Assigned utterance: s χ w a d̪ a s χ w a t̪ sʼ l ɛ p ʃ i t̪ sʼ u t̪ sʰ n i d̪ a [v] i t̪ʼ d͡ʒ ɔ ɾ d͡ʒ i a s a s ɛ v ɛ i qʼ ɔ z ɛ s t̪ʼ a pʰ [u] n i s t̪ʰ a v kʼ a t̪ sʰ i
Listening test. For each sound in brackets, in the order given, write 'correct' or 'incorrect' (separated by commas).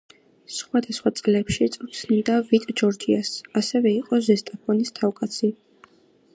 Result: correct, incorrect